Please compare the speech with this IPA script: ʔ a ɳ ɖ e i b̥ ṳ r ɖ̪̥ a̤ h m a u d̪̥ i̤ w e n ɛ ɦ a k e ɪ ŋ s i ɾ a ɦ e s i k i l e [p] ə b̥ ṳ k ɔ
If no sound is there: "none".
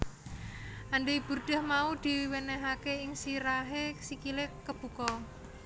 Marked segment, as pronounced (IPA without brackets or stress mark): k